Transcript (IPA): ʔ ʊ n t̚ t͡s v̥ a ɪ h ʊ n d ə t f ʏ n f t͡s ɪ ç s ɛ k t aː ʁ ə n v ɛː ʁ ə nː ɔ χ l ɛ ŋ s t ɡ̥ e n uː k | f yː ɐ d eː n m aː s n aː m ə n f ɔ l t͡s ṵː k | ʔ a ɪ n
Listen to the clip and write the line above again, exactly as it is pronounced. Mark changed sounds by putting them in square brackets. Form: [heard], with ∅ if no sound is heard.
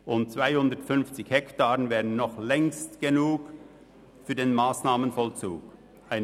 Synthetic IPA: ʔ ʊ n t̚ t͡s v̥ a ɪ h ʊ n d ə t f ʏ n f t͡s ɪ ç [h] ɛ k t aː ʁ ə n v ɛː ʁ ə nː ɔ χ l ɛ ŋ s t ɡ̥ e n uː k | f yː ɐ d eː n m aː s n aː m ə n f ɔ l t͡s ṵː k | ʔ a ɪ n